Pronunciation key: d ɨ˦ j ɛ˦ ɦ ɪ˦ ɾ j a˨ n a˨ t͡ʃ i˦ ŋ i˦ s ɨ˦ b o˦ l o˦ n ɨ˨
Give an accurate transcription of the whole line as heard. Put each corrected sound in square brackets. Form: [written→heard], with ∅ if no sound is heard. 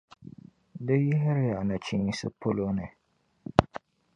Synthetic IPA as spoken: d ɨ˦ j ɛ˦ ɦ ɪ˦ ɾ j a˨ n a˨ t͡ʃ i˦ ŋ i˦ s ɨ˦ [b→p] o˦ l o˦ n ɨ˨